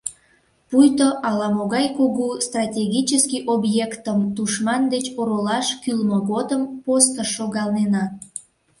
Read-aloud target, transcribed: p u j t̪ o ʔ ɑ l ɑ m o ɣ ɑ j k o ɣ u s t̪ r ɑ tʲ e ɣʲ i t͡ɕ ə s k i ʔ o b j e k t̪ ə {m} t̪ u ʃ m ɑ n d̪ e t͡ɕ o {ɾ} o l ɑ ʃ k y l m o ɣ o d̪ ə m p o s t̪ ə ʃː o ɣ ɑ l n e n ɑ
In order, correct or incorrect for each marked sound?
correct, correct

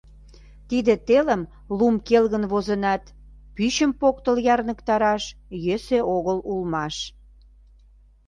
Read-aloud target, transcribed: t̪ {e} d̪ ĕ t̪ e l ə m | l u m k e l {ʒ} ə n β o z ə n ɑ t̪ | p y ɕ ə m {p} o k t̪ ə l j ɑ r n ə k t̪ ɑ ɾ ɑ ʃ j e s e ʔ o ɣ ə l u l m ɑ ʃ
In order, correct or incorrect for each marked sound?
incorrect, incorrect, correct

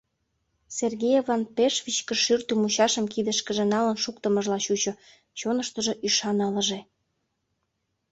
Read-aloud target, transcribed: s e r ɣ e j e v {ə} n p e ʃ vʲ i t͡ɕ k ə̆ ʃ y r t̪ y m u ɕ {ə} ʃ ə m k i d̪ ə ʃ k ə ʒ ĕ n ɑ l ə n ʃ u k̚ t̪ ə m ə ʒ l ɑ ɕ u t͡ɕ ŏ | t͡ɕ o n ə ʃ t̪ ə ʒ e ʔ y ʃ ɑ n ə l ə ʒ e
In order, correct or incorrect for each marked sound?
incorrect, incorrect

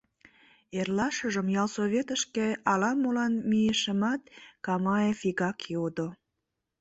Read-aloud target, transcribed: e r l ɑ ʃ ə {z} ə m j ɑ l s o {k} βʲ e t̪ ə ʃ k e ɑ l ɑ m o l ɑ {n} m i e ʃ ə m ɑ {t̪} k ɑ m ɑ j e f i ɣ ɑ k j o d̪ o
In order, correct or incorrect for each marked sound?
incorrect, incorrect, correct, correct

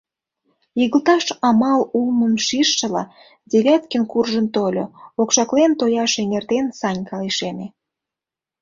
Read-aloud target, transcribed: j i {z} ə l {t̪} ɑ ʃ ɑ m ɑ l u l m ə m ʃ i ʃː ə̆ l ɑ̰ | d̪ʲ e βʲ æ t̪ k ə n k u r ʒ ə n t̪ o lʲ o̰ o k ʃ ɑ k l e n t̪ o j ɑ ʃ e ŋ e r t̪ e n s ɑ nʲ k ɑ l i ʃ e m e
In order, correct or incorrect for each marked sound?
incorrect, correct

